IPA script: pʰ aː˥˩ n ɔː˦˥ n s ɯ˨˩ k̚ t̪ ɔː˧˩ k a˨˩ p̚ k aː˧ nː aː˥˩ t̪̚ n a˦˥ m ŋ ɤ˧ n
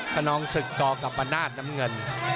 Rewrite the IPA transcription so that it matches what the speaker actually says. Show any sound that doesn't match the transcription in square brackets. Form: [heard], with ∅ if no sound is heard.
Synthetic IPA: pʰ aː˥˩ n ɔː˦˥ [ŋ] s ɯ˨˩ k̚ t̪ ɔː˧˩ k a˨˩ p̚ [ʔ] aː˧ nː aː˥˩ t̪̚ n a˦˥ m ŋ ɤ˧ n